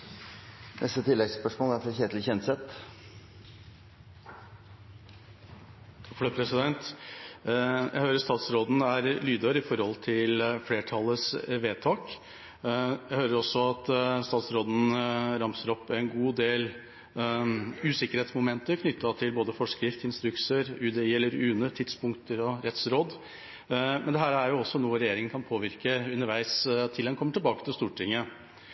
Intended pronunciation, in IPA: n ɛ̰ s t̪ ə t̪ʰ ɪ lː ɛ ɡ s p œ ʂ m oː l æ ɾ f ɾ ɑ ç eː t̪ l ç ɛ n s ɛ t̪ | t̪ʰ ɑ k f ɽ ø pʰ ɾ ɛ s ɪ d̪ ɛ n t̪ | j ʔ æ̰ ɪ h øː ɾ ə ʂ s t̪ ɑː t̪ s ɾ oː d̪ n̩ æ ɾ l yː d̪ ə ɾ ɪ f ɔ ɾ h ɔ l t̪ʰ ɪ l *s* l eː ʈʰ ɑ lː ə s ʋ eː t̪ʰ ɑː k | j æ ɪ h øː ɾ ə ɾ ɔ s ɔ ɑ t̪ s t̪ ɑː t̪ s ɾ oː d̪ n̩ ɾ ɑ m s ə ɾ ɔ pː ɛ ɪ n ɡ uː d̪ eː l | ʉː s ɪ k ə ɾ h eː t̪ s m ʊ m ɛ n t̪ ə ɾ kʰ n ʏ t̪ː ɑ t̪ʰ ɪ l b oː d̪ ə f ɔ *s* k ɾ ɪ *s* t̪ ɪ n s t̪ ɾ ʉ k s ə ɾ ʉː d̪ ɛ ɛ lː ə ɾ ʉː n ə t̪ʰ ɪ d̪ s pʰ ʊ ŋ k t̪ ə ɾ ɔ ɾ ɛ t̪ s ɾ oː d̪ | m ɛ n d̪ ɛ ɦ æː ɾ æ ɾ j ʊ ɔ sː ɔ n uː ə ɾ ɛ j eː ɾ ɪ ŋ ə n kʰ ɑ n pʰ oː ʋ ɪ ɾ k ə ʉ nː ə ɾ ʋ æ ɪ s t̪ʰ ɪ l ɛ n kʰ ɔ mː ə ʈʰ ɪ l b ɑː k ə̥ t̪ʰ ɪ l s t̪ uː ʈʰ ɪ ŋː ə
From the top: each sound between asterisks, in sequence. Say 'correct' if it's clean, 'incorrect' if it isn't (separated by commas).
incorrect, incorrect, incorrect